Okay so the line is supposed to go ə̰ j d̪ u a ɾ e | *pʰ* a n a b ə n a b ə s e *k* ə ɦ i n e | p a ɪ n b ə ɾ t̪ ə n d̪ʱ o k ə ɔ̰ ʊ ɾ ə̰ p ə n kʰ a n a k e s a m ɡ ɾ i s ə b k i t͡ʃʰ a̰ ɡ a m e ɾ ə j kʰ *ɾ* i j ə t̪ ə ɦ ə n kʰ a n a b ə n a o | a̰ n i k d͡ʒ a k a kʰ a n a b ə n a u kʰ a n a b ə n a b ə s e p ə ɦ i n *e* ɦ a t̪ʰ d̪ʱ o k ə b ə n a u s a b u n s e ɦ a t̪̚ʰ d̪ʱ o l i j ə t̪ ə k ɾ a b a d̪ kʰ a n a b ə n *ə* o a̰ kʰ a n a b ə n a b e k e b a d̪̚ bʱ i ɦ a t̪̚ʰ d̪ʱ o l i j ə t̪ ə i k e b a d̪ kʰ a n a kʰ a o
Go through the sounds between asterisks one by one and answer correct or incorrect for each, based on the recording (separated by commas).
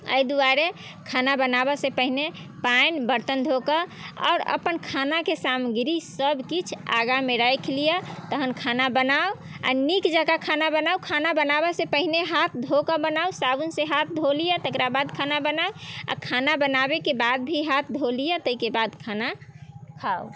incorrect, incorrect, incorrect, correct, incorrect